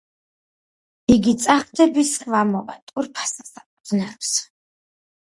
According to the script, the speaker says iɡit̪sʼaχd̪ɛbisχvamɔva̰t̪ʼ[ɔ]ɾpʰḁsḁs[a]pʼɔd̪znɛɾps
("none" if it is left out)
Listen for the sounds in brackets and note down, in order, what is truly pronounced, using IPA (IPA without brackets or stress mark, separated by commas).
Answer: u, a